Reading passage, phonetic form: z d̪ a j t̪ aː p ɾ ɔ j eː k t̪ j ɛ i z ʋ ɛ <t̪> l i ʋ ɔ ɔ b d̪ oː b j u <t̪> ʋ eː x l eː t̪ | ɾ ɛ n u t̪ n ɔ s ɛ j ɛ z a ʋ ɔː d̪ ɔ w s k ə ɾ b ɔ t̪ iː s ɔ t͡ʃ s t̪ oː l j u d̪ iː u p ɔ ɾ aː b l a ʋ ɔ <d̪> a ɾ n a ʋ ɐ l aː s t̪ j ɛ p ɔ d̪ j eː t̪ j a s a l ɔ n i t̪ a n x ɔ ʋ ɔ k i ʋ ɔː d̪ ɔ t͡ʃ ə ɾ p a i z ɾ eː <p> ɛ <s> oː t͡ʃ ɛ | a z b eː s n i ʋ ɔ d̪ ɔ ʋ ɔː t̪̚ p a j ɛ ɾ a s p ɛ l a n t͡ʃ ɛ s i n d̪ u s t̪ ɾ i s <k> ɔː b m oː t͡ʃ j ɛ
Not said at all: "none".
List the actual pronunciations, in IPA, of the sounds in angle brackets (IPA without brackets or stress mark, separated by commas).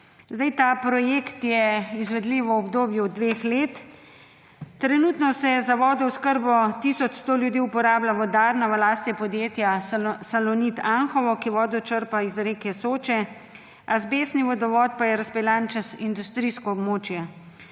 d̪, d̪, d̪, k, s, k